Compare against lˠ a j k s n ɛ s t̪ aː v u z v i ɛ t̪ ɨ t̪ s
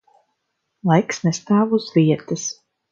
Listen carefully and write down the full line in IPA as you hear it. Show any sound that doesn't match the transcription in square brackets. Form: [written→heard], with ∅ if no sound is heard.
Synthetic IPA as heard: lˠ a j k s n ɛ s t̪ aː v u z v i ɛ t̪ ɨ [t̪→∅] s